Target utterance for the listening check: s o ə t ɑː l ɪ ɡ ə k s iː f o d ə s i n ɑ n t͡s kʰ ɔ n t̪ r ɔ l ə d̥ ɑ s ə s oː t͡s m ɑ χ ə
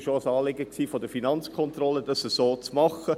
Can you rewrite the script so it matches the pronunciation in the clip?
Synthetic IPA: ʃ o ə s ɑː l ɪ ɡ ə k s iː f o d ə f i n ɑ n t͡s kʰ ɔ n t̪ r ɔ l ə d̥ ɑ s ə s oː t͡s m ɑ χ ə